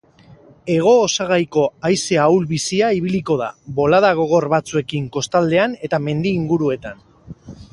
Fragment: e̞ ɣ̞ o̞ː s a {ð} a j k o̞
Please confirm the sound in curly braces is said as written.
no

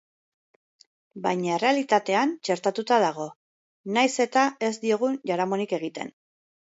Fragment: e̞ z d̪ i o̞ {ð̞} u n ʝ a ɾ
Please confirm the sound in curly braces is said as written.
no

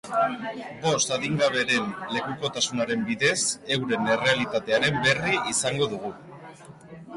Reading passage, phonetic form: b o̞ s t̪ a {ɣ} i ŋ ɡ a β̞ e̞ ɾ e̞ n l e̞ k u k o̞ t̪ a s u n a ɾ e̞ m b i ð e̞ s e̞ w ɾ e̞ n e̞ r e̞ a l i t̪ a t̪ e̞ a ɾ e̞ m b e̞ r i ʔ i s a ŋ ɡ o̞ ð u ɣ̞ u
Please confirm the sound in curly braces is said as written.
no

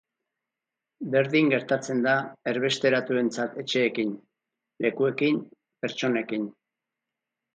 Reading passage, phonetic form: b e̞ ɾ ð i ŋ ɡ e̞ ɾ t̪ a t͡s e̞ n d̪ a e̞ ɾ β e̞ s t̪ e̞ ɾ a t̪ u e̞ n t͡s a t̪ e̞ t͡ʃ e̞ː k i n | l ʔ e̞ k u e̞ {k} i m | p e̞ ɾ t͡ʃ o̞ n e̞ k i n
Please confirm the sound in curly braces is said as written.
yes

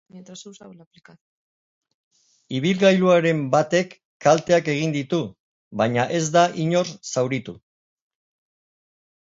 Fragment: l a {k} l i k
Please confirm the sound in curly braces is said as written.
no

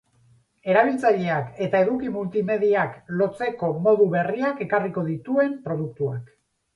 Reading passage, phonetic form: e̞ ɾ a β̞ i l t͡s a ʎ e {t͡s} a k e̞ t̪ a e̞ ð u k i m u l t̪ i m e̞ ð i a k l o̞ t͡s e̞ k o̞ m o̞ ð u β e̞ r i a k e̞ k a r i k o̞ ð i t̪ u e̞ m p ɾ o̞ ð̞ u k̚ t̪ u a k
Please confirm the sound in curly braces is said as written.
no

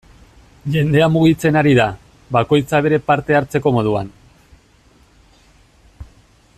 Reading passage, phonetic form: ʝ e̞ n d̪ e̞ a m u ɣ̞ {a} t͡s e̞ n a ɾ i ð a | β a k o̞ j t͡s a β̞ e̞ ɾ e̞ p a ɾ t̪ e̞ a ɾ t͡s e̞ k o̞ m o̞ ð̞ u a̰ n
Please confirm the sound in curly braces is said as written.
no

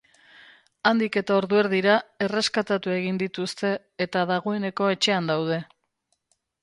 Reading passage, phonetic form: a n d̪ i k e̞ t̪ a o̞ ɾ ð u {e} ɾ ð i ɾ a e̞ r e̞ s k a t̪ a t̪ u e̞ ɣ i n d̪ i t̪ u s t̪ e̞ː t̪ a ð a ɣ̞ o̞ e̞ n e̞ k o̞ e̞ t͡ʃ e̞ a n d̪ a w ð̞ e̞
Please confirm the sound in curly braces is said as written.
yes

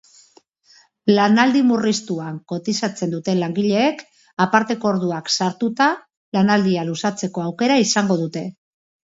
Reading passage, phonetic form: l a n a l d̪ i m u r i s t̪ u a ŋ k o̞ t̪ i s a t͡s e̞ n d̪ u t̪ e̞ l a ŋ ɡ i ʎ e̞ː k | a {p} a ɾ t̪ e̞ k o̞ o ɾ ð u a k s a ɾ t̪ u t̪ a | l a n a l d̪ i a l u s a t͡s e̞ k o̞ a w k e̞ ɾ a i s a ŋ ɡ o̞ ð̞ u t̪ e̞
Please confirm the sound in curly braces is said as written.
yes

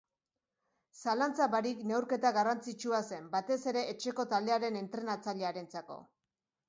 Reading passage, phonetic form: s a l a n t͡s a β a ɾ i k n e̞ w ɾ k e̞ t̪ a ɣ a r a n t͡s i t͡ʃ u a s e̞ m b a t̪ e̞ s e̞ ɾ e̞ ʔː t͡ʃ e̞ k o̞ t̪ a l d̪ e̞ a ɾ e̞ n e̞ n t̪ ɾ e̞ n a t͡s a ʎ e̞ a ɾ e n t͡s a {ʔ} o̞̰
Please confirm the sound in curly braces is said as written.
no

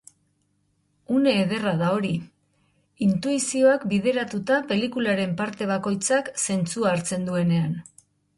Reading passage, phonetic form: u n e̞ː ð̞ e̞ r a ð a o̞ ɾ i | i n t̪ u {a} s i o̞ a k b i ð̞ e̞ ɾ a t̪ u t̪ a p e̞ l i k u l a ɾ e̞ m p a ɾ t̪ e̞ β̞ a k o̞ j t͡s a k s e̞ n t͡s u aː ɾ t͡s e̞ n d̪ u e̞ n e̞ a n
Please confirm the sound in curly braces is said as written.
no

